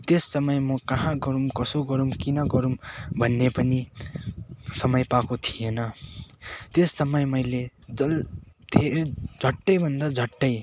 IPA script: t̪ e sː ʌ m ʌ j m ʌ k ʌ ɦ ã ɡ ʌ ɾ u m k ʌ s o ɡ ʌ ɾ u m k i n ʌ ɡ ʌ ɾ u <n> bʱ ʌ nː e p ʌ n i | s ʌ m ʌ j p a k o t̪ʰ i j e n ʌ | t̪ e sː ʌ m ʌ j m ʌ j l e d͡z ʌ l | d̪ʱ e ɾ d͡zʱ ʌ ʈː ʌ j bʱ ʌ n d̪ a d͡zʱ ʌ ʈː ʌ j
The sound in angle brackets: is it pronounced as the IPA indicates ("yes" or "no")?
no